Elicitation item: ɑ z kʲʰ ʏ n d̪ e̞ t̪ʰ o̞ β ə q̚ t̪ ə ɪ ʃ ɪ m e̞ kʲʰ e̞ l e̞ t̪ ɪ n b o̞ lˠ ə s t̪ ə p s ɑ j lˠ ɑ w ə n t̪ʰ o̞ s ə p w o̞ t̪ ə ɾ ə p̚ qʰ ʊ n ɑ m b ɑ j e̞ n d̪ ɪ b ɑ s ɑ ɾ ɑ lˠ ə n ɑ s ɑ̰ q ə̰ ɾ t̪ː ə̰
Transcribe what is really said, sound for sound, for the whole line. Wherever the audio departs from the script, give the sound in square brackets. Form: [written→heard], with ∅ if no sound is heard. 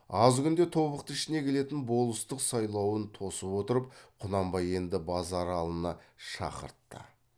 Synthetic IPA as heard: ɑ z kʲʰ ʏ n d̪ e̞ t̪ʰ o̞ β ə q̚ t̪ ə ɪ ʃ ɪ [m→n] e̞ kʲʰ e̞ l e̞ t̪ ɪ n b o̞ lˠ ə s t̪ ə [p→q] s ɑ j lˠ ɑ w ə n t̪ʰ o̞ s ə p w o̞ t̪ ə ɾ ə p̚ qʰ ʊ n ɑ m b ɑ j e̞ n d̪ ɪ b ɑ [s→z] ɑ ɾ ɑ lˠ ə n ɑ [s→ʃ] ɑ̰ q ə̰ ɾ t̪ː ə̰